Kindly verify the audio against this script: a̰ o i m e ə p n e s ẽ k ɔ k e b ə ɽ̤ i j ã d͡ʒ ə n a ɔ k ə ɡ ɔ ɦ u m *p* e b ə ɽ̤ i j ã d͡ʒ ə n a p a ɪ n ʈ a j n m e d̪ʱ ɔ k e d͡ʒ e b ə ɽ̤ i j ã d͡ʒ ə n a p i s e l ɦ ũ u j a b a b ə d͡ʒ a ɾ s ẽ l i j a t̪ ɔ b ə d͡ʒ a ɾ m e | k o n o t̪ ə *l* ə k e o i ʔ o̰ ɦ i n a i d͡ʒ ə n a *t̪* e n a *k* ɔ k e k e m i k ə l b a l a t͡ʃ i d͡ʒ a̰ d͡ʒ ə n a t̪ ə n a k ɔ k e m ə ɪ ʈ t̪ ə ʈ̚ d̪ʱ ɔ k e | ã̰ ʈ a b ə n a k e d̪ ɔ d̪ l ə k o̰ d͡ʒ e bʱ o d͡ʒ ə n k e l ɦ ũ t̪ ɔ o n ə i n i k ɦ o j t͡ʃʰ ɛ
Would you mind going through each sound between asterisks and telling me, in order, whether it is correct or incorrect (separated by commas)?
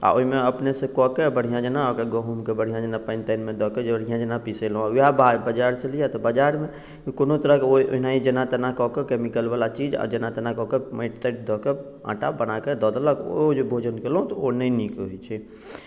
incorrect, incorrect, correct, correct